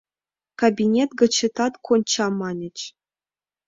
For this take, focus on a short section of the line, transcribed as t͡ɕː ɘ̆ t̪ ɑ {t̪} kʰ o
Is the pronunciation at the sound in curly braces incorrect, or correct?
correct